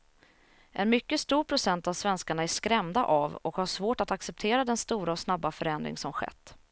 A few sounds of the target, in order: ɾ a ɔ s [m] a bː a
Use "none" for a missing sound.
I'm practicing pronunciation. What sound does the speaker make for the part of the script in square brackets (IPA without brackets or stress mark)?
n